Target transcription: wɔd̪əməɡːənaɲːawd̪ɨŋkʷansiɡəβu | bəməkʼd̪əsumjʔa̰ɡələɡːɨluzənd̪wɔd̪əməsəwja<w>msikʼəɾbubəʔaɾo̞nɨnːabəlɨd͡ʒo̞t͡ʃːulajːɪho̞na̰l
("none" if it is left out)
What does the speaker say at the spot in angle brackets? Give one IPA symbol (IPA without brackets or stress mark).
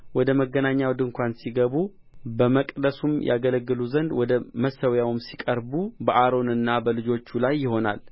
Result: w